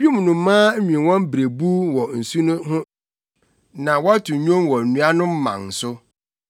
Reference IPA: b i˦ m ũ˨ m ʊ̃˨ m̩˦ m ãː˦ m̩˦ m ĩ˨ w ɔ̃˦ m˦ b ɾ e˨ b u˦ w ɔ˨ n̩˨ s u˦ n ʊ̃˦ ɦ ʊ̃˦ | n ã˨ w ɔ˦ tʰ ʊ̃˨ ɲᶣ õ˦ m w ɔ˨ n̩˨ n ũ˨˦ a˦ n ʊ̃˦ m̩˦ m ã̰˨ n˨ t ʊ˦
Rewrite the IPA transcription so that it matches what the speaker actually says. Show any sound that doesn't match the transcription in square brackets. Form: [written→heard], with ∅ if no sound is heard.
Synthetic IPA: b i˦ m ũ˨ [m→n] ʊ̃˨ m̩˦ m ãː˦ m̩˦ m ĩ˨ w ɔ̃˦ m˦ b ɾ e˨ b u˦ w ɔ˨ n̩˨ s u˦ n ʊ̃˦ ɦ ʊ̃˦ | n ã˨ w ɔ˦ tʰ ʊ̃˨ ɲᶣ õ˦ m w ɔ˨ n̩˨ n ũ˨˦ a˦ n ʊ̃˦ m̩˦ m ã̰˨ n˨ [t→s] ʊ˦